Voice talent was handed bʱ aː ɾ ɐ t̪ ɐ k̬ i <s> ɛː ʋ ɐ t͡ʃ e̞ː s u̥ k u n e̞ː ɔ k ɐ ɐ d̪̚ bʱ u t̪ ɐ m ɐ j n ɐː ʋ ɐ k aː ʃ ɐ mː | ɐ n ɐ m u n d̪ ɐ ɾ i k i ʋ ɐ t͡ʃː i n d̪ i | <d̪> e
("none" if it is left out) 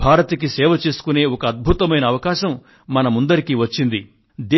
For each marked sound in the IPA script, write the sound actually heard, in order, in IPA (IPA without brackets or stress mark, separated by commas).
s, d̪